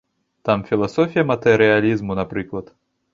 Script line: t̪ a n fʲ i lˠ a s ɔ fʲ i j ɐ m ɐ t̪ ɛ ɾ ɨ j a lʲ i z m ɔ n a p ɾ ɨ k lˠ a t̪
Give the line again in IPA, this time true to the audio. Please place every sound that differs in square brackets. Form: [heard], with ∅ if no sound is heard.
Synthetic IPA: t̪ a [m] fʲ i lˠ a s ɔ fʲ i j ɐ m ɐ t̪ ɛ ɾ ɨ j a lʲ i z m [u] n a p ɾ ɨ k lˠ [ɐ] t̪